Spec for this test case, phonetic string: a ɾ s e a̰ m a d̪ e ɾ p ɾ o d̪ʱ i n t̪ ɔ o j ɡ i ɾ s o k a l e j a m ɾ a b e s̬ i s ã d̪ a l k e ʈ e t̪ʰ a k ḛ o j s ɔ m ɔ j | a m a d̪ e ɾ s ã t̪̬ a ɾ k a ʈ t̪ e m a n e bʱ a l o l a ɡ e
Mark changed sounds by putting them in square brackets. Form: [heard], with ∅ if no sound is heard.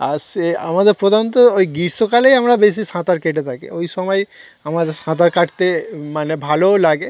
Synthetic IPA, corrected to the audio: a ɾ s e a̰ m a d̪ e ɾ p ɾ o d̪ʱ [a] n t̪ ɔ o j ɡ i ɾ s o k a l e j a m ɾ a b e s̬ i s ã [t̪] a [ɾ] k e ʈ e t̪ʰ a k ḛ o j s ɔ m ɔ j | a m a d̪ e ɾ s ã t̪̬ a ɾ k a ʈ t̪ e m a n e bʱ a l o l a ɡ e